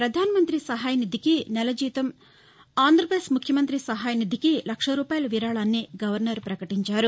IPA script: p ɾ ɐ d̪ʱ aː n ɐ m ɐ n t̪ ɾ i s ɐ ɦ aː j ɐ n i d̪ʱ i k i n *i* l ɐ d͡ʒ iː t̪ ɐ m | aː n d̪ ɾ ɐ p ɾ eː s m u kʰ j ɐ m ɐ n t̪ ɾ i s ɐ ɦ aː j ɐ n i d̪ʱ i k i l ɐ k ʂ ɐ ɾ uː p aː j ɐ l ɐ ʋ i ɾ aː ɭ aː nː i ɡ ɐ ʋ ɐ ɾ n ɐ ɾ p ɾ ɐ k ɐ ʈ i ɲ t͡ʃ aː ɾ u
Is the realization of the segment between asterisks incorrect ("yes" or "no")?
yes